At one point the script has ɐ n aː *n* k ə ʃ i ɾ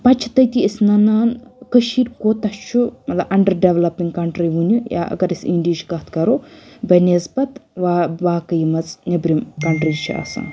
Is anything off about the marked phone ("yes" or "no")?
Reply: no